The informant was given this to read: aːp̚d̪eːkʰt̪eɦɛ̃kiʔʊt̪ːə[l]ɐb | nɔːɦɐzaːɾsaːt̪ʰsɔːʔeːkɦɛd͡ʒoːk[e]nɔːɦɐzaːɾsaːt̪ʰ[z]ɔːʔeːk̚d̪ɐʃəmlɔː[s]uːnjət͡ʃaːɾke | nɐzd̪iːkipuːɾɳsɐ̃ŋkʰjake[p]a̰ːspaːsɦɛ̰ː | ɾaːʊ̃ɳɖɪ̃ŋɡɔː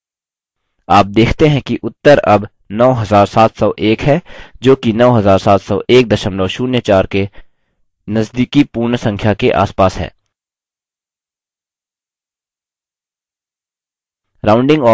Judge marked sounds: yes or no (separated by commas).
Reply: no, no, no, no, no